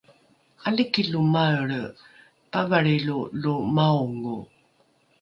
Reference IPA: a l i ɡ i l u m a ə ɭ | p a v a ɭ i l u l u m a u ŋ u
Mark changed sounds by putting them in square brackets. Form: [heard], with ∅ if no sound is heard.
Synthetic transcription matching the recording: a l i [k] i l u m a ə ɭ | p a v a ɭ i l u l u m a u ŋ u